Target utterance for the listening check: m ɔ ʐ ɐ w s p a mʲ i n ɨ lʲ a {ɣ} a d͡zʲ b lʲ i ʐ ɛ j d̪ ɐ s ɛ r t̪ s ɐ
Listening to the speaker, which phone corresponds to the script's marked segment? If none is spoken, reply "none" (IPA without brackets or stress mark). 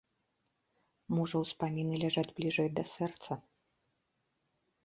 ʐ